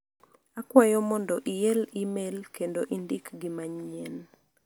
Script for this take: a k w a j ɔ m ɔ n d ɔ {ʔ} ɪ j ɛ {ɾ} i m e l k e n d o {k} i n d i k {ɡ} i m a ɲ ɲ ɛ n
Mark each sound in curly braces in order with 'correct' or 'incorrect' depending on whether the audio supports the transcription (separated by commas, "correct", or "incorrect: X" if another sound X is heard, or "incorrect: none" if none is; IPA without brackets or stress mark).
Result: correct, incorrect: l, incorrect: ʔ, correct